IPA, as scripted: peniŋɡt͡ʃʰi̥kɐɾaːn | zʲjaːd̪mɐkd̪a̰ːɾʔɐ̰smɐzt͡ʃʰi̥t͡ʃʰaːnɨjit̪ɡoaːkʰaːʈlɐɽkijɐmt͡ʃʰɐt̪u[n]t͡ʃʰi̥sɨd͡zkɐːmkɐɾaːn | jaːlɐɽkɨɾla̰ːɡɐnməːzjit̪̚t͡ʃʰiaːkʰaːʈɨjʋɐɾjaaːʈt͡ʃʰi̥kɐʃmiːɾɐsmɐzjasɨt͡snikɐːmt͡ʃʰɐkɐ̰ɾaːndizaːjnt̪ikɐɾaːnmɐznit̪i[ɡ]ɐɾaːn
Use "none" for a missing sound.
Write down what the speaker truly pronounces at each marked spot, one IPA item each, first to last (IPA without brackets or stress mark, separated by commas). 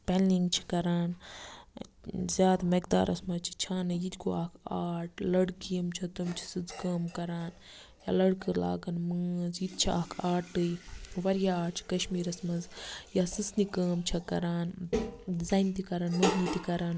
m, k